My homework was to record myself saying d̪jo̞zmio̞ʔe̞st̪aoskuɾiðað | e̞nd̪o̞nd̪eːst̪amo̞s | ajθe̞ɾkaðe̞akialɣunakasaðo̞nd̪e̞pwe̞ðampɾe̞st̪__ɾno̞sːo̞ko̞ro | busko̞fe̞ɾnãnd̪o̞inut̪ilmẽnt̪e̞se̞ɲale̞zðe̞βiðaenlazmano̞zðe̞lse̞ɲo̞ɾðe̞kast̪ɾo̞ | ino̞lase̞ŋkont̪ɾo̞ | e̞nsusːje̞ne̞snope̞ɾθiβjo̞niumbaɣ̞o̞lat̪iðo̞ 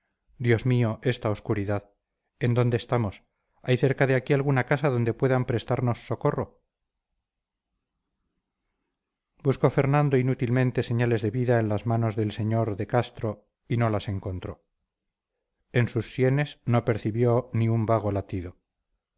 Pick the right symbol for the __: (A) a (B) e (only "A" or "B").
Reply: A